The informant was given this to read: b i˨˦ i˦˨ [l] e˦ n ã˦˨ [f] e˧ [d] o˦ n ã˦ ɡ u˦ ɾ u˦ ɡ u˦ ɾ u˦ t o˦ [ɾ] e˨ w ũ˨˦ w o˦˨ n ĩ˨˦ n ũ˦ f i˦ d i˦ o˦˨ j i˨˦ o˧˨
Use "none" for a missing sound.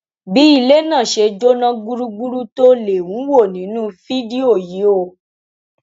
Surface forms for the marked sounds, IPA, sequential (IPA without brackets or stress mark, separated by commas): l, ʃ, d͡ʒ, l